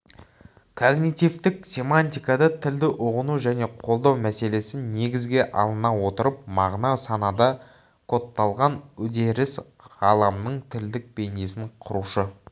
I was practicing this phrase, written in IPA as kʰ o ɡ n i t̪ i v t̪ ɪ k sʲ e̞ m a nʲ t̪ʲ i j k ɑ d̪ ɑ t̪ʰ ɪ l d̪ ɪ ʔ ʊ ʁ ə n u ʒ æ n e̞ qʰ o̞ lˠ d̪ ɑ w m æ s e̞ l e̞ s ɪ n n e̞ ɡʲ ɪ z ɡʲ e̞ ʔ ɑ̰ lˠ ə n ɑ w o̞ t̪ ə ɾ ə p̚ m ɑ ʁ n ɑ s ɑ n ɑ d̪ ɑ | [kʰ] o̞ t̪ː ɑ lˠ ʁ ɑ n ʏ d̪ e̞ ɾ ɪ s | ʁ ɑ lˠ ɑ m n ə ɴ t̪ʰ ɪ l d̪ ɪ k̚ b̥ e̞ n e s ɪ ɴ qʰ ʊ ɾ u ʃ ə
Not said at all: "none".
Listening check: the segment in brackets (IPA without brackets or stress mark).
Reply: kʰ